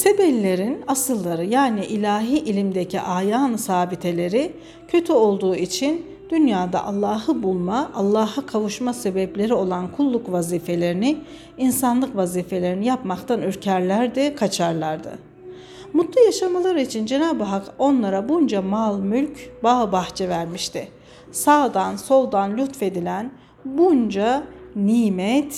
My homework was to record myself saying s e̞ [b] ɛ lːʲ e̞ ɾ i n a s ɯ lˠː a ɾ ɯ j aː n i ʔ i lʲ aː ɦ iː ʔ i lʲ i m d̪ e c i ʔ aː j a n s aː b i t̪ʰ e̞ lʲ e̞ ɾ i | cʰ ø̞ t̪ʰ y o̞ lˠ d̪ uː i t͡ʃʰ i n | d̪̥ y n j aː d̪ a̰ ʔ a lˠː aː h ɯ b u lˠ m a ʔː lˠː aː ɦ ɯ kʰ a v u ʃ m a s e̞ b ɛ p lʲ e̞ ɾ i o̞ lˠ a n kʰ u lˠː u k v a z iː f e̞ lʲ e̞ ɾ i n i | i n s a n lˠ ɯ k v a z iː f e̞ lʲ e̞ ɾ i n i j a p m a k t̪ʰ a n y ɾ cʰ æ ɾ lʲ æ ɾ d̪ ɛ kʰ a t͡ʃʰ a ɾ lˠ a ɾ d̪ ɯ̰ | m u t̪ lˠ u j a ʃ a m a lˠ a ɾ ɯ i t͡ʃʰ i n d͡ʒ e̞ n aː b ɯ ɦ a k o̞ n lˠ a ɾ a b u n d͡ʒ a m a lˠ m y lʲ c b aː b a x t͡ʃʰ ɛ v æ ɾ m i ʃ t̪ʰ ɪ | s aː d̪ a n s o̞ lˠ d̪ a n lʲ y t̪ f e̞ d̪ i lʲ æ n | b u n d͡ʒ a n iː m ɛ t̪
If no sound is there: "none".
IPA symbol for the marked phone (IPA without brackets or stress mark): b